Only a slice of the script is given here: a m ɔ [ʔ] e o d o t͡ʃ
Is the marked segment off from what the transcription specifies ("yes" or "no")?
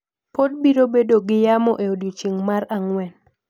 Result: no